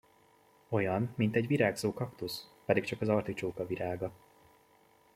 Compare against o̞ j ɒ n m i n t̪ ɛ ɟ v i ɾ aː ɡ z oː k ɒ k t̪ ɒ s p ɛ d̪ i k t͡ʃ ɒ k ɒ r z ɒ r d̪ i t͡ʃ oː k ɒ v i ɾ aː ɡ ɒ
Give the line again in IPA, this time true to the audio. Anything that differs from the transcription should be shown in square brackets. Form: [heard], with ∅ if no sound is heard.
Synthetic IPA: o̞ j ɒ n m i n t̪ ɛ ɟ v i ɾ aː ɡ z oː k ɒ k t̪ [u] s p ɛ d̪ i k t͡ʃ ɒ k ɒ [∅] z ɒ r [t̪] i t͡ʃ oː k ɒ v i ɾ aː ɡ ɒ

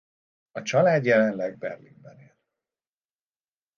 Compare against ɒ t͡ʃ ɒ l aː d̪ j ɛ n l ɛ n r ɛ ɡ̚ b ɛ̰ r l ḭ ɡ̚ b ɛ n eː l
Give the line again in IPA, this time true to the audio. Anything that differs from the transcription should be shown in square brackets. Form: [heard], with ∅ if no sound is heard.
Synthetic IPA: ɒ t͡ʃ ɒ l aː d̪ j ɛ [∅] l ɛ n [l] ɛ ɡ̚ b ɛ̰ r l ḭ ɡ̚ b ɛ n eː l

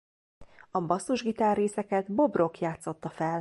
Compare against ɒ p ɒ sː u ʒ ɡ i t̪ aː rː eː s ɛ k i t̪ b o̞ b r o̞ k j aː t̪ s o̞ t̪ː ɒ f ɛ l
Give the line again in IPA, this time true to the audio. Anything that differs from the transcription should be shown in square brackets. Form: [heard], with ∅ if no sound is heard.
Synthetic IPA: ɒ [b] ɒ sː u ʒ ɡ i t̪ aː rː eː s ɛ k [ɛ] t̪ b o̞ b r o̞ k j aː t̪ s o̞ t̪ː ɒ f ɛ l

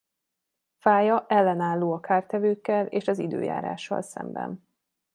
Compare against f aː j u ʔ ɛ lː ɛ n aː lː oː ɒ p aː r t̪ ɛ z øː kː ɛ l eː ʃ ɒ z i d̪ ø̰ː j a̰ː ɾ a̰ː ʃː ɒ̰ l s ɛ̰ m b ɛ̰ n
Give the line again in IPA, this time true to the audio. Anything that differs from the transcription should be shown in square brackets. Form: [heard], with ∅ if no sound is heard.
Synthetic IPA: f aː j [ɒ] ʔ ɛ lː ɛ n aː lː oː ɒ [k] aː r t̪ ɛ [v] øː kː ɛ l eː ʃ ɒ z i d̪ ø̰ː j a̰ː ɾ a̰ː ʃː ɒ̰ l s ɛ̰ m b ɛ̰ n

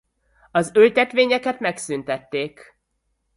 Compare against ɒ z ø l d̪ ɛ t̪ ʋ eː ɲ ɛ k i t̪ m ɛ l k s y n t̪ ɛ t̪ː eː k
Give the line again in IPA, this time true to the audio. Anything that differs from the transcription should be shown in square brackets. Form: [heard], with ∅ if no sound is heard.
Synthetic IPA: ɒ z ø l [t̪] ɛ t̪ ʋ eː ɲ ɛ k [ɛ] t̪ m ɛ [∅] k s y n t̪ ɛ t̪ː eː k

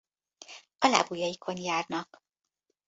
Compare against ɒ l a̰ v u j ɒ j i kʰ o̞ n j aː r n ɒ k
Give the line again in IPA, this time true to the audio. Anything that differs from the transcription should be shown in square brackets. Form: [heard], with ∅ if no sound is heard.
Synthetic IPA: ɒ l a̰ [b] u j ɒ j i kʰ o̞ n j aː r n ɒ k

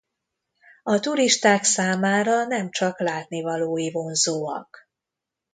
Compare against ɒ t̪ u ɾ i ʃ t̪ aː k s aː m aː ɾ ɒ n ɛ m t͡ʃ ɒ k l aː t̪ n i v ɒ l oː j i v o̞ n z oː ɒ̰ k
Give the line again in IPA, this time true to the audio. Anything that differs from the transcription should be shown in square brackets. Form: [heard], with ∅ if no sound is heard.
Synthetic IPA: ɒ t̪ u ɾ i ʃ t̪ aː k s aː m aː ɾ ɒ n ɛ m t͡ʃ ɒ k l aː t̪ n i v ɒ l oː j i v o̞ n z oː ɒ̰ k

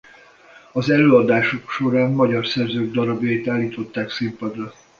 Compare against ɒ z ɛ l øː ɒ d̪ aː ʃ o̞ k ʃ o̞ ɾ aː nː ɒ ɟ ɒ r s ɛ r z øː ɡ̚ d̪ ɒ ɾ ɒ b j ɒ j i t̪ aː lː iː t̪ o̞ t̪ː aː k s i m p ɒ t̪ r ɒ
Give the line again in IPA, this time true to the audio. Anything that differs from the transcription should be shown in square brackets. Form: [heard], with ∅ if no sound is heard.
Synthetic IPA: ɒ z ɛ l øː ɒ d̪ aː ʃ o̞ k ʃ o̞ ɾ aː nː ɒ ɟ ɒ r s ɛ r z øː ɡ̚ d̪ ɒ ɾ ɒ b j ɒ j i t̪ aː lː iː t̪ o̞ t̪ː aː k s i m p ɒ [d̪] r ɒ

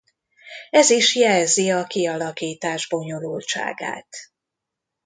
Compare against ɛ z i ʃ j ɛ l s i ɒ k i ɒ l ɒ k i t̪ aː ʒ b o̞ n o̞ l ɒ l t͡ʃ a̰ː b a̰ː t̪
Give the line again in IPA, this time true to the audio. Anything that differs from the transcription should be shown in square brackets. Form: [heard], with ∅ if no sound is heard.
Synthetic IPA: ɛ z i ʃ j ɛ l [z] i ɒ k i ɒ l ɒ k [iː] t̪ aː ʒ b o̞ [ɲ] o̞ l [u] l t͡ʃ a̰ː [ɡ] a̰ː t̪

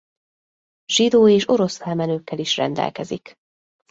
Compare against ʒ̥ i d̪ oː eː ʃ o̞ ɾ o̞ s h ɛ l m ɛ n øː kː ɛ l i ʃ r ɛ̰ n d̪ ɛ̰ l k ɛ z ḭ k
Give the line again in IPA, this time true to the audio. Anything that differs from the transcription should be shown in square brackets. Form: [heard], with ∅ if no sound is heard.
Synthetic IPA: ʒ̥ i d̪ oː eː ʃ o̞ ɾ o̞ s [f] ɛ l m ɛ n øː kː ɛ l i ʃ r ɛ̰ n d̪ ɛ̰ l k ɛ z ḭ k

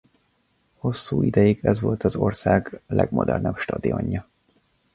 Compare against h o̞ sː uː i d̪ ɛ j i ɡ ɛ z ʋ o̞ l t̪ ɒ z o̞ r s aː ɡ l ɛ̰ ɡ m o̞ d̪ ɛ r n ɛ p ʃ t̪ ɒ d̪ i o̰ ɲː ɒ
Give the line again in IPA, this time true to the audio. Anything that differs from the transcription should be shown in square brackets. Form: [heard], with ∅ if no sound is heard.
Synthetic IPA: h o̞ sː uː i d̪ ɛ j i ɡ ɛ z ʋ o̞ l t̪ ɒ z o̞ r s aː ɡ l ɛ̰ ɡ m o̞ d̪ ɛ r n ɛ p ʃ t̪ ɒ d̪ i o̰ ɲː ɒ

